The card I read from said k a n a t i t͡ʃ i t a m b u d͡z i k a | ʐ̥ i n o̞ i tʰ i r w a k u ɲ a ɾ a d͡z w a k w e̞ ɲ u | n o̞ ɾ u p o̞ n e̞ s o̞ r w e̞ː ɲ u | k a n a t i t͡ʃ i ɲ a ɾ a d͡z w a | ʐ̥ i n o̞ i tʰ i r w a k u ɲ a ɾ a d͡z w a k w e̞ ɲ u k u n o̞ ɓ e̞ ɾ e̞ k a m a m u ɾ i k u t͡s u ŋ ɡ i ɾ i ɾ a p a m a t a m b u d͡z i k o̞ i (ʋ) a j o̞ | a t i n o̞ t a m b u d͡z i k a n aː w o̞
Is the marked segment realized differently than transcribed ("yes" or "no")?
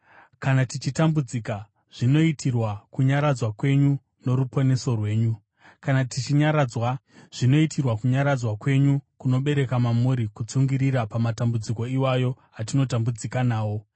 yes